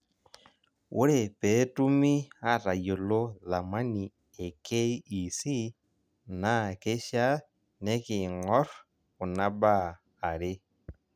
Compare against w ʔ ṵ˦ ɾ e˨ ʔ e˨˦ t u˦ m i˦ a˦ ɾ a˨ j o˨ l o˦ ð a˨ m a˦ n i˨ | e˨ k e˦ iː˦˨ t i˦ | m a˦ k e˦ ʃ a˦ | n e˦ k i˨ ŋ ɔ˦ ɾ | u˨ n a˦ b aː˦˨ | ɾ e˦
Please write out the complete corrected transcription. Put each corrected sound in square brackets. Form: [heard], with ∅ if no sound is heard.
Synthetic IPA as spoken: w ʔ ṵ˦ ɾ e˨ [p] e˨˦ t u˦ m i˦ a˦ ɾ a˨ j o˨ l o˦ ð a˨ m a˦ n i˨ | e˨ k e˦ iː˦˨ [s] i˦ | [n] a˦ k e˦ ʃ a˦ | n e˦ k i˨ ŋ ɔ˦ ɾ | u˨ n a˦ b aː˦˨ | ɾ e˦